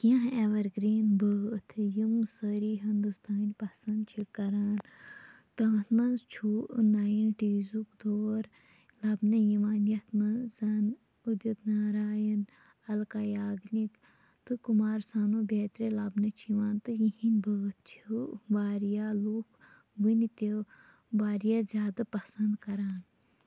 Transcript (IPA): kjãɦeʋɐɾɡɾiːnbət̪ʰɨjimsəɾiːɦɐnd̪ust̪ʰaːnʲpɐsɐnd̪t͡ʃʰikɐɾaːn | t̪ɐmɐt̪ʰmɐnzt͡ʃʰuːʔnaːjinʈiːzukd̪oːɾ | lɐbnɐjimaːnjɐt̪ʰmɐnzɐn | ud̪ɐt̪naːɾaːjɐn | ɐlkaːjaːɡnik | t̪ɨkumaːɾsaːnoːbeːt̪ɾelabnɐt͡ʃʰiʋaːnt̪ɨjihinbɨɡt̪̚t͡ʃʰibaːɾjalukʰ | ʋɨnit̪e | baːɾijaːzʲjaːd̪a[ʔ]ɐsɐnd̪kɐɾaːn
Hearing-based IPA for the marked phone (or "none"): p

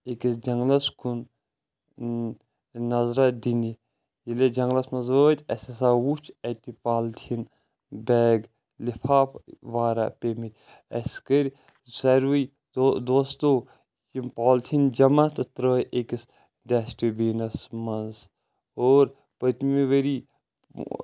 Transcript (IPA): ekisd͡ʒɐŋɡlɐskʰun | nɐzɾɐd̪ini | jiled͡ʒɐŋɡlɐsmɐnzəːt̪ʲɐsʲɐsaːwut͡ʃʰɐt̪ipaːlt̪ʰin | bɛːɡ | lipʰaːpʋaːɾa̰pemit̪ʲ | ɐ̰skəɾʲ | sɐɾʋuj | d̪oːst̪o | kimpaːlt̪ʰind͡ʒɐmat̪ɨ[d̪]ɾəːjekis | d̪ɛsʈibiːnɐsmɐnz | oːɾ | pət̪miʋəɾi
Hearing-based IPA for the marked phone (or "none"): t̪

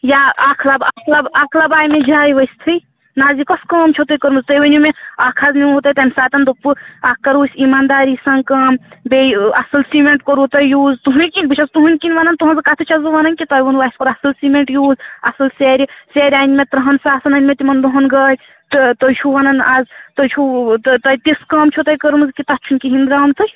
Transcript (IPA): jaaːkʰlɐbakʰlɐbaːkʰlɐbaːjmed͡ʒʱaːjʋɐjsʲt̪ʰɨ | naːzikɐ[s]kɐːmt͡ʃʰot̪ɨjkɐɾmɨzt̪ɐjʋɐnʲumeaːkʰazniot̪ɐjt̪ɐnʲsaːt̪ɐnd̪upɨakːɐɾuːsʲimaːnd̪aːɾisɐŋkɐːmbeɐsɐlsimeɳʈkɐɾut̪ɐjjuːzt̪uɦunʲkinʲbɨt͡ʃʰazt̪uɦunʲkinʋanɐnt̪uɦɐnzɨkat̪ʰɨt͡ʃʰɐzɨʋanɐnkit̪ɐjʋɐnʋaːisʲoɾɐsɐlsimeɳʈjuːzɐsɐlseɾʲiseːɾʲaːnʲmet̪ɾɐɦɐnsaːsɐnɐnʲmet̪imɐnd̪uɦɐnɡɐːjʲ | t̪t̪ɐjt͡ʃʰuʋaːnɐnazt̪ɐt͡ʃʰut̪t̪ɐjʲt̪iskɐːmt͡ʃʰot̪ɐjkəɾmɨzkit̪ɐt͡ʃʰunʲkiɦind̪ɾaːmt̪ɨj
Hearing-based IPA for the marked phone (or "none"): s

